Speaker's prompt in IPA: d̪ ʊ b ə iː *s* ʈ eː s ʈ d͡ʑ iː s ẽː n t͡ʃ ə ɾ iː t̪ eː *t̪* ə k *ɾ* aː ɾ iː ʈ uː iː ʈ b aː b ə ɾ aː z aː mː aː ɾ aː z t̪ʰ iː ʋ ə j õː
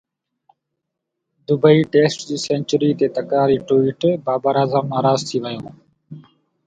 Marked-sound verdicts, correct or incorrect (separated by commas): incorrect, correct, correct